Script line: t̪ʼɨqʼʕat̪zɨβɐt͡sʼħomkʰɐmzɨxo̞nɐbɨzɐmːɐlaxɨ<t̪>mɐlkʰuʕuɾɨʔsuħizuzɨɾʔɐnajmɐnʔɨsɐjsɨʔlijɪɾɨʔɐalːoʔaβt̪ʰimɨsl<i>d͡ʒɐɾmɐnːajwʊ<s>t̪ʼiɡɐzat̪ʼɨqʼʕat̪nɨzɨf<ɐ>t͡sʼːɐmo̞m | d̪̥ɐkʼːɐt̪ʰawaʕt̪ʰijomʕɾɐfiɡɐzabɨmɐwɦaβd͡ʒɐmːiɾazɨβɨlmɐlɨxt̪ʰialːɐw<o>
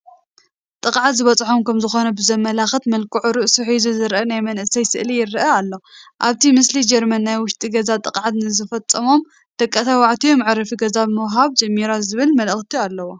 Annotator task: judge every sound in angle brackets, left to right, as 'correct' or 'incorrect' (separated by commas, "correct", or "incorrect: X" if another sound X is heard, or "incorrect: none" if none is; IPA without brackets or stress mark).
correct, correct, incorrect: ʃ, correct, correct